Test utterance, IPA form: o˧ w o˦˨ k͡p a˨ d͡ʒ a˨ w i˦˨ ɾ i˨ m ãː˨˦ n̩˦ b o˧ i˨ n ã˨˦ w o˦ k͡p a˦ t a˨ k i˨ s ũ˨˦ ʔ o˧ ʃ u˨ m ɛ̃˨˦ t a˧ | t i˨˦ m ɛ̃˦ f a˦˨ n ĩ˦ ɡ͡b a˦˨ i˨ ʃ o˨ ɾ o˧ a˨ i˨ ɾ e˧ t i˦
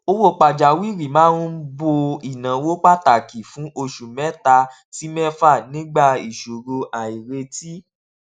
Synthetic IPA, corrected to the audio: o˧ w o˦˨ k͡p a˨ d͡ʒ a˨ w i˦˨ ɾ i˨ m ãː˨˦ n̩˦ b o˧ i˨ n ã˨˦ w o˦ k͡p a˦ t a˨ k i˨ f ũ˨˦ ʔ o˧ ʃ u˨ m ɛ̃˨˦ t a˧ | t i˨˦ m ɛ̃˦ f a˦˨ n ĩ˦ ɡ͡b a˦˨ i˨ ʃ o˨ ɾ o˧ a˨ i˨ ɾ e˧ t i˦